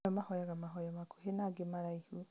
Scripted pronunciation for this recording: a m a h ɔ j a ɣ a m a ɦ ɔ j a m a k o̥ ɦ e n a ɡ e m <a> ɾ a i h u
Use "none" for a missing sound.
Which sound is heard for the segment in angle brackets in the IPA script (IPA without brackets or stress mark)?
a